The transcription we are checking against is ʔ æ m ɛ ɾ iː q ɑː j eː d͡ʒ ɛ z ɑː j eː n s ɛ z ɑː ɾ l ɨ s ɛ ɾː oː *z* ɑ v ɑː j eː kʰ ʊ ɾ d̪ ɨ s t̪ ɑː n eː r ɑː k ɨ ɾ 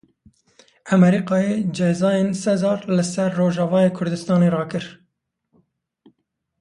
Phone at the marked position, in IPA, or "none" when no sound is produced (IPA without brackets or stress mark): ʒ